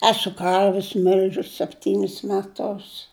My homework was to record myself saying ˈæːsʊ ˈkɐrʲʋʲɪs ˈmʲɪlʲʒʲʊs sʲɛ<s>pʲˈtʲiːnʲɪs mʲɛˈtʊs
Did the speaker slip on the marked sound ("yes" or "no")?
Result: yes